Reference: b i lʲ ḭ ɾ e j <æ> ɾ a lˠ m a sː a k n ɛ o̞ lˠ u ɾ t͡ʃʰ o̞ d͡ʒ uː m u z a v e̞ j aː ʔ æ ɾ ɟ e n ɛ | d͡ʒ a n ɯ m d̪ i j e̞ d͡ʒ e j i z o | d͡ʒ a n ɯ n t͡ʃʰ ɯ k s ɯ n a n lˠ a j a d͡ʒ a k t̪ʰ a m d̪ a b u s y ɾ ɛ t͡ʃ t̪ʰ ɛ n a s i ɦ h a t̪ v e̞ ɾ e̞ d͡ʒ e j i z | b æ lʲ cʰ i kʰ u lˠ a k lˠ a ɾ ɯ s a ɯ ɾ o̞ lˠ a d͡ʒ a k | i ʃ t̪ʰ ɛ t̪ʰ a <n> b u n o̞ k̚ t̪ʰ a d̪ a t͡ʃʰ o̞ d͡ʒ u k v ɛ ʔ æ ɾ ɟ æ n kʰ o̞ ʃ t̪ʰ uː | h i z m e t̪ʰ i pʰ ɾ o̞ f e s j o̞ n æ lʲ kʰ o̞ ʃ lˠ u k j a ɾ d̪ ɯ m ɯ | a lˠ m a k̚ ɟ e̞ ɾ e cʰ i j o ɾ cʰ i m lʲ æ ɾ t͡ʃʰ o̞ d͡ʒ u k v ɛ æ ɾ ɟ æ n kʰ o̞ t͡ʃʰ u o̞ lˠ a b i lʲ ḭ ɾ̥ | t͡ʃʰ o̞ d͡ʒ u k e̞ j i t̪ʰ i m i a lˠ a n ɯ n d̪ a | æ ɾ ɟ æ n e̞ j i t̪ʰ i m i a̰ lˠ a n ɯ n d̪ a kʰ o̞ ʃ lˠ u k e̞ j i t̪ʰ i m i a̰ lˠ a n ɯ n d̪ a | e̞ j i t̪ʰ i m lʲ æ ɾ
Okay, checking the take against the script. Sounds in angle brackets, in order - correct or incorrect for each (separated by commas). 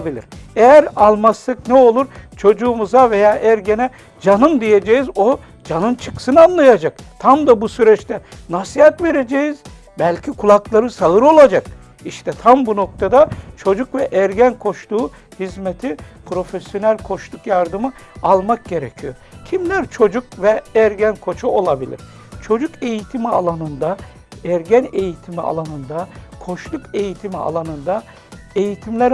correct, incorrect